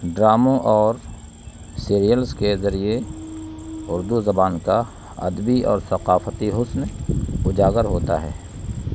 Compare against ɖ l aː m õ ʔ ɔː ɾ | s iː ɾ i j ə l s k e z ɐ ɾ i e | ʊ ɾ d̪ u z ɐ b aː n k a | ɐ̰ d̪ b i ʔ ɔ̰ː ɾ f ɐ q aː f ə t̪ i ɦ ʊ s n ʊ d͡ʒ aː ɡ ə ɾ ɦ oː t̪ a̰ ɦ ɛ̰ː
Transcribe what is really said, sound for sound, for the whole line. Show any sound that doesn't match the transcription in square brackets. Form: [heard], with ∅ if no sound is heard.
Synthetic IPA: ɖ [ɾ] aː m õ ʔ ɔː ɾ | s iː ɾ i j ə l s k e z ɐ ɾ i e | ʊ ɾ d̪ u z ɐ b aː n k a | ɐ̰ d̪ b i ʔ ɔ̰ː ɾ [s] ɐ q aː f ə t̪ i ɦ ʊ s n ʊ d͡ʒ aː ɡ ə ɾ ɦ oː t̪ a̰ ɦ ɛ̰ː